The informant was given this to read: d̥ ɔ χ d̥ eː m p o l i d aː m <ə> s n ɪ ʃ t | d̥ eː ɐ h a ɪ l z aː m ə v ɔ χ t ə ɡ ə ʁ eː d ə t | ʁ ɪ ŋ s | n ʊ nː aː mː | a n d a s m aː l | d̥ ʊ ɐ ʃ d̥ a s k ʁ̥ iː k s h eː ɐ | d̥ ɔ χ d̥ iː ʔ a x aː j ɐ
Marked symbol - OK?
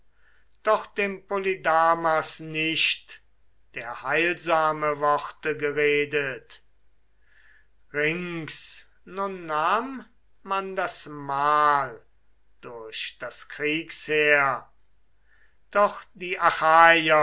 no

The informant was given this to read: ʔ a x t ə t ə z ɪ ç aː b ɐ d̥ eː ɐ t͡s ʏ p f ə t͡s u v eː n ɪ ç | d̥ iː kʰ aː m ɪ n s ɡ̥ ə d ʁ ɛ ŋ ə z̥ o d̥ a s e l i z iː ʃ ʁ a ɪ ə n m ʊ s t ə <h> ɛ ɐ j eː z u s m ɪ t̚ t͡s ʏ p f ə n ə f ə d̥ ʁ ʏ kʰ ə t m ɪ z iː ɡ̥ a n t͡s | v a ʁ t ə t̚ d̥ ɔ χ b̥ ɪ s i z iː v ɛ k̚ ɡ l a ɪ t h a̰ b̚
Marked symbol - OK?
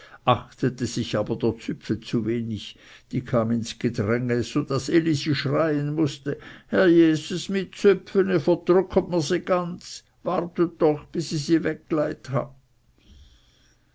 yes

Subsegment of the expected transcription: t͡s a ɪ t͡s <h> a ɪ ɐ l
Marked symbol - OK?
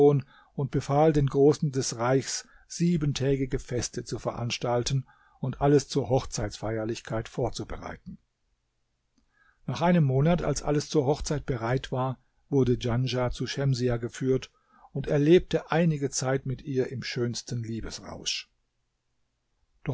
no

